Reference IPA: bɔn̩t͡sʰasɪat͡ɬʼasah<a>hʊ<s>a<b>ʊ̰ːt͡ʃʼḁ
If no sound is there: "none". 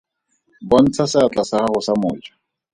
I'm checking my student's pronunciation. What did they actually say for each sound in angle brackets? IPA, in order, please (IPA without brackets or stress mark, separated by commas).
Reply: a, s, m